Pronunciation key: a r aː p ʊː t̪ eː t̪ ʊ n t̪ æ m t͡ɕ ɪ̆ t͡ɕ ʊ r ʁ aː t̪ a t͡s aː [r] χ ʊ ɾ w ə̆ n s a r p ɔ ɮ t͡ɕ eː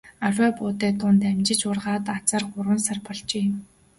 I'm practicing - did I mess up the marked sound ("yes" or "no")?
no